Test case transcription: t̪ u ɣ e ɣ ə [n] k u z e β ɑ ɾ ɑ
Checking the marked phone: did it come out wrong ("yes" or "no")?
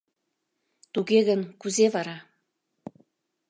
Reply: no